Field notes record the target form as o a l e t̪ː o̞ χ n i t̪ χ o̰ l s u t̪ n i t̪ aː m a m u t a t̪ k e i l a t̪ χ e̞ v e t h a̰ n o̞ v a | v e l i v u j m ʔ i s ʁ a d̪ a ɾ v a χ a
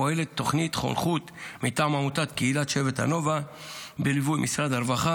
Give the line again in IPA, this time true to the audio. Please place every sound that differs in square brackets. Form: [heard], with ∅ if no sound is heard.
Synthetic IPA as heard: o [e] l e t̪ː o̞ χ n i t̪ χ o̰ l [χ] u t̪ [m] i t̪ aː m a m u t a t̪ k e i l a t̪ [ʃ] e̞ v e t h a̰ n o̞ v a | [b] e l i v u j m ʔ i s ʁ a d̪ a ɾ v a χ a